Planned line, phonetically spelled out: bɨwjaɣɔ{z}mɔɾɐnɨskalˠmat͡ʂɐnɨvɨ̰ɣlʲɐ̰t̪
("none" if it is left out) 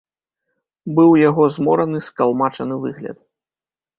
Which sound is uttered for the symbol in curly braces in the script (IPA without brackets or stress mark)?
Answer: z